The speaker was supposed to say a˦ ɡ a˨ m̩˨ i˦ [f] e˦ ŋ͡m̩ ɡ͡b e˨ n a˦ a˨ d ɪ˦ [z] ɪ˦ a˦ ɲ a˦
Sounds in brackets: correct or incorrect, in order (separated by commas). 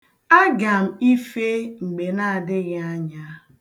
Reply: correct, incorrect